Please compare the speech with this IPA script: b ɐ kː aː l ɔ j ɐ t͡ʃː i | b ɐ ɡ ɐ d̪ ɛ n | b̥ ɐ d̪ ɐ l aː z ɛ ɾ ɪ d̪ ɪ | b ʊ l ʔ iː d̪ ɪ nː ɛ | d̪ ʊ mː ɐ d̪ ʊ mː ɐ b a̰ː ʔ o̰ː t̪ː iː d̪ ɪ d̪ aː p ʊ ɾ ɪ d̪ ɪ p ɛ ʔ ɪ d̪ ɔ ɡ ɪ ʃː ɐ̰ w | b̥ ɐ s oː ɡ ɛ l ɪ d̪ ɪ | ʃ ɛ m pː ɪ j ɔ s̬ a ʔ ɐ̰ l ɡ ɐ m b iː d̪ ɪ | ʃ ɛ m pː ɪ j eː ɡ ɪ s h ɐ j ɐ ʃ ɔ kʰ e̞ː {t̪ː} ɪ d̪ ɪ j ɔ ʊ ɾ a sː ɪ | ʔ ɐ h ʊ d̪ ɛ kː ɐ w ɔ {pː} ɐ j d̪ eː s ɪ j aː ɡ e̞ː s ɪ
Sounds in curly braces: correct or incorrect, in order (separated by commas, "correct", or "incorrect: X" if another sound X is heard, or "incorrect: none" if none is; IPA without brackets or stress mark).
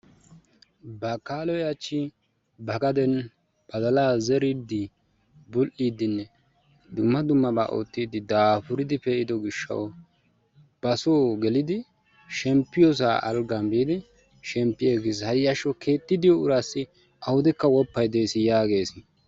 correct, correct